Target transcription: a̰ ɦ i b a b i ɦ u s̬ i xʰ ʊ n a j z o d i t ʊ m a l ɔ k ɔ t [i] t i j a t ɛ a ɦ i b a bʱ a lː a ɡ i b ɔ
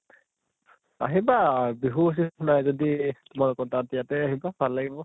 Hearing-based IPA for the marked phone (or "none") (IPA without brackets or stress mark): a